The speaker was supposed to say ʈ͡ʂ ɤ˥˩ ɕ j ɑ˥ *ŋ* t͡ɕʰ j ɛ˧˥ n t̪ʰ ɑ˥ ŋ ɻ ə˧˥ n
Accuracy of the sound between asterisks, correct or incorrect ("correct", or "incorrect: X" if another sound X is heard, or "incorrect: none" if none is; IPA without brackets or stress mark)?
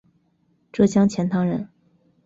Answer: correct